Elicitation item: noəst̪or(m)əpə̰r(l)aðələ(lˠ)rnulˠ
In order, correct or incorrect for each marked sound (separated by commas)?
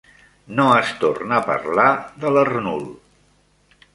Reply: incorrect, correct, incorrect